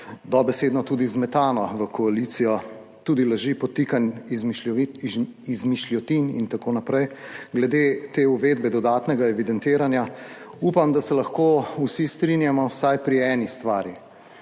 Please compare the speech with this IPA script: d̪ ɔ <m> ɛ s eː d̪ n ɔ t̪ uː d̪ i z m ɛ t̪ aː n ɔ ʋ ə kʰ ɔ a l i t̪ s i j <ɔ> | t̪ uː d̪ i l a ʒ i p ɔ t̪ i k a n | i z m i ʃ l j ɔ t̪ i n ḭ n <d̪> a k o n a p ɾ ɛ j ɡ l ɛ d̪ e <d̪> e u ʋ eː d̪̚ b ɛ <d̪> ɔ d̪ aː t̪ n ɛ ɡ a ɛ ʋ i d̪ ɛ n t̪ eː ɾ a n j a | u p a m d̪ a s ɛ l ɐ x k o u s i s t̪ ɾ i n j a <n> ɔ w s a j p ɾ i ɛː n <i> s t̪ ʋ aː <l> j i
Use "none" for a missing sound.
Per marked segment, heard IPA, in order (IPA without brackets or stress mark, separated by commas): b, ɔ, t̪, t̪, d̪, m, i, ɾ